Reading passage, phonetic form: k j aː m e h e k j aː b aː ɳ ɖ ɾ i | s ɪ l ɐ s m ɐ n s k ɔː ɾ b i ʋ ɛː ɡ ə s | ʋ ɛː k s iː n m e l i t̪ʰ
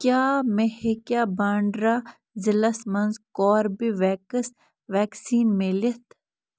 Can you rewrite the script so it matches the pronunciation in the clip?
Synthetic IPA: k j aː m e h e k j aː b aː ɳ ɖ ɾ a | z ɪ l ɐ s m ɐ n z k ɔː ɾ b i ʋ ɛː k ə s | ʋ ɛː k s iː n m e l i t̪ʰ